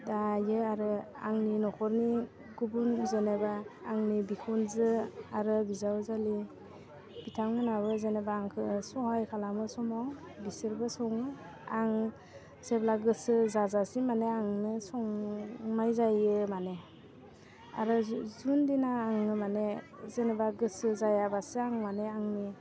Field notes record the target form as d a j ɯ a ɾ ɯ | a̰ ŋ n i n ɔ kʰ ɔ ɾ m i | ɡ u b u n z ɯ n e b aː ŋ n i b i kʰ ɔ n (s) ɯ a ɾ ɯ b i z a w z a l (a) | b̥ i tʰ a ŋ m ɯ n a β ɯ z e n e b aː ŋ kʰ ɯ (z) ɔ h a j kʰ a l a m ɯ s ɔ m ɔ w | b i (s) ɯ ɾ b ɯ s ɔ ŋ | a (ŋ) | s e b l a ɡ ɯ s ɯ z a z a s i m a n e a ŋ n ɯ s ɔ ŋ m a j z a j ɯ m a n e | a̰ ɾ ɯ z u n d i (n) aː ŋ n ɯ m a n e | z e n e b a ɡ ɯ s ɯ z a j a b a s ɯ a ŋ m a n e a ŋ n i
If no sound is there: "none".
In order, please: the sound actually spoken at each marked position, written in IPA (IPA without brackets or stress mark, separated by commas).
z, i, s, s, ŋ, n